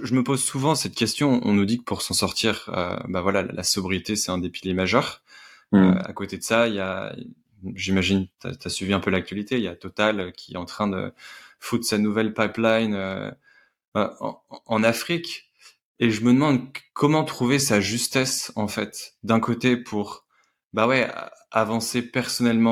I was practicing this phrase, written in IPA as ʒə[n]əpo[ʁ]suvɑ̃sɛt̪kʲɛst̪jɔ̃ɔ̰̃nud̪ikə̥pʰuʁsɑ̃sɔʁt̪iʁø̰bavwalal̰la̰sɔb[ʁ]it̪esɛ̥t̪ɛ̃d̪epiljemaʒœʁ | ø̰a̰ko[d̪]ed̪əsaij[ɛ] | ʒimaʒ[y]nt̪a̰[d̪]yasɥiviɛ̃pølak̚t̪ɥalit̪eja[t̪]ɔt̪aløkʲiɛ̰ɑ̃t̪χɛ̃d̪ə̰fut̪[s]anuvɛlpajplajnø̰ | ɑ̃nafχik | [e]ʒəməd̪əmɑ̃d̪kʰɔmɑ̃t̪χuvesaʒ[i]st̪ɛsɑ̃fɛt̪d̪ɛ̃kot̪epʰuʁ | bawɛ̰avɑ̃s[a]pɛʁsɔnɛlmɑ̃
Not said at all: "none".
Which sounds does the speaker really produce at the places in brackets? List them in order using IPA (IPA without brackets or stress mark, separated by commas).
m, z, ʁ, t̪, a, i, t̪, t̪, s, e, y, e